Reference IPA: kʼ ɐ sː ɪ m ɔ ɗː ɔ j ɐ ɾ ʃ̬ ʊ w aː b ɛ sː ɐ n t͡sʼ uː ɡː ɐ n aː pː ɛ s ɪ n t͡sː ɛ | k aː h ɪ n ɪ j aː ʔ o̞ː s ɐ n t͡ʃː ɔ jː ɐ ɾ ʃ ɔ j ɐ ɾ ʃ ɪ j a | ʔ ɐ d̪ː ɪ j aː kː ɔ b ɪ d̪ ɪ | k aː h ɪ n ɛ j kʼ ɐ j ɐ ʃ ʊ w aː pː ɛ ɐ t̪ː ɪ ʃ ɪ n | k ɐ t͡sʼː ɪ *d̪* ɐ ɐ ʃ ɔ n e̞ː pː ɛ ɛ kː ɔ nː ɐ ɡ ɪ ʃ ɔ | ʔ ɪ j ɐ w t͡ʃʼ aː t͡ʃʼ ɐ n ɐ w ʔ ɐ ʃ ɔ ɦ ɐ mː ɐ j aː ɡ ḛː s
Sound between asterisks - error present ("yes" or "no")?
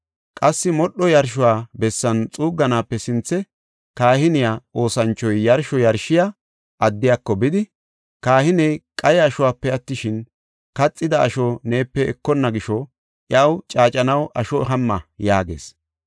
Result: no